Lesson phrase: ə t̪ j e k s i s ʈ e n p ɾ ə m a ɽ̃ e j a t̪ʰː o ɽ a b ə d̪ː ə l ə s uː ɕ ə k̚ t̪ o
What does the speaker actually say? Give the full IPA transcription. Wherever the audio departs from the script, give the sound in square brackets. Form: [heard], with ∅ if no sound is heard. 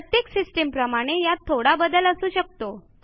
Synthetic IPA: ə t̪ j e k s i s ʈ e [m] p ɾ ə m a ɽ̃ e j a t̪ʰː o ɽ a b ə [d̪] ə l ə s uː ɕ ə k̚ t̪ o